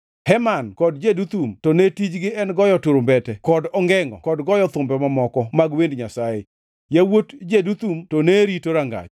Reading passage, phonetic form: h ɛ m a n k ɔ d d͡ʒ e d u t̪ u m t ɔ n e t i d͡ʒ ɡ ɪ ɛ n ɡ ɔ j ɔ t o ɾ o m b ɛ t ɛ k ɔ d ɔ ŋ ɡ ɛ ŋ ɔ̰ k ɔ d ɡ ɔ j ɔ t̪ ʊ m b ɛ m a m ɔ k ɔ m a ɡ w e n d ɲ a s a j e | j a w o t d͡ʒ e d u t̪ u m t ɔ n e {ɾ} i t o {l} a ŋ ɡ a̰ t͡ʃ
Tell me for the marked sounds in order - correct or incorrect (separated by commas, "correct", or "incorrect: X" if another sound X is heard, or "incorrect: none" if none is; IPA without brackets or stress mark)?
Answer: correct, incorrect: ɾ